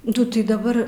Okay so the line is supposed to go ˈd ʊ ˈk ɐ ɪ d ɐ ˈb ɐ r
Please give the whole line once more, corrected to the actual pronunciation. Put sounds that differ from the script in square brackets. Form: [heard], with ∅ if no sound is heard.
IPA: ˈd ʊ [ˈt] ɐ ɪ d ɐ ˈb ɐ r